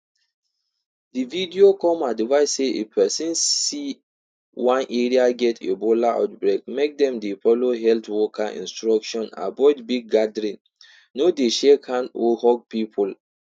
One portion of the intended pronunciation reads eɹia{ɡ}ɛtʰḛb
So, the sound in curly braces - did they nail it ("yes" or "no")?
yes